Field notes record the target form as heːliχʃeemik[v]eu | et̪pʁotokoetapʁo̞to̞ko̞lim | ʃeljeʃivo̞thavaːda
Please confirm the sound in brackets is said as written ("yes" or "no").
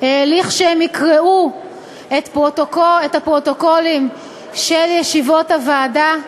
no